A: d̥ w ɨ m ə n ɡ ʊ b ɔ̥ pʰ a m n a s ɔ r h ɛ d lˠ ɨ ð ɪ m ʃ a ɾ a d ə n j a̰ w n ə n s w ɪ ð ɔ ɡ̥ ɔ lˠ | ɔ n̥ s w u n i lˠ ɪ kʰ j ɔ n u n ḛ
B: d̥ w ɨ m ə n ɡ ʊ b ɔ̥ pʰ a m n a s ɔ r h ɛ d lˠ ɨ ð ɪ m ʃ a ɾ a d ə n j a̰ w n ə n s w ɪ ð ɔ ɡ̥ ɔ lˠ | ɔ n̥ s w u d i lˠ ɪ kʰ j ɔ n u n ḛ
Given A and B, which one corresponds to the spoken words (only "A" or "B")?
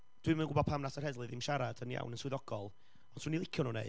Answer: A